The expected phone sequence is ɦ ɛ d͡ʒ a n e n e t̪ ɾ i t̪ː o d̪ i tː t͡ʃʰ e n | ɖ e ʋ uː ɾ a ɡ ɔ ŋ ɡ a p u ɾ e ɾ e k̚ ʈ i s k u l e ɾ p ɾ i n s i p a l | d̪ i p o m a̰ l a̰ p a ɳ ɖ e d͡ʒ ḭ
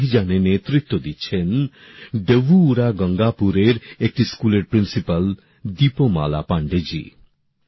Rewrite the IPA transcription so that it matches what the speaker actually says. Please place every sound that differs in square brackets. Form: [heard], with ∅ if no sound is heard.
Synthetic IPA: ɦ [i] d͡ʒ a n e n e t̪ ɾ i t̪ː o d̪ i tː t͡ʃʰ e n | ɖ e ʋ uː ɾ a ɡ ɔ ŋ ɡ a p u ɾ e ɾ e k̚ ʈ i s k u l e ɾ p ɾ i n s i p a l | d̪ i p o m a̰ l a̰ p a ɳ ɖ e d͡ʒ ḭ